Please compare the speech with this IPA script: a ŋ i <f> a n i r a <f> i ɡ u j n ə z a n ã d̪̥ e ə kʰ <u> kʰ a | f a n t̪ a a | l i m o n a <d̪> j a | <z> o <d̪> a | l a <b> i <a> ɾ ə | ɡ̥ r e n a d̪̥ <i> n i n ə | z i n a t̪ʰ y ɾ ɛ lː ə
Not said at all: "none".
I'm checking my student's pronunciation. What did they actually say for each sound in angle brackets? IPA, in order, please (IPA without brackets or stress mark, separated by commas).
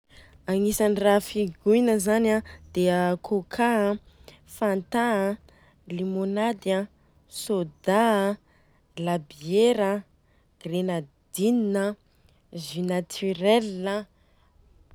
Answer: s, f, o, d̪, s, d̪, b, e, i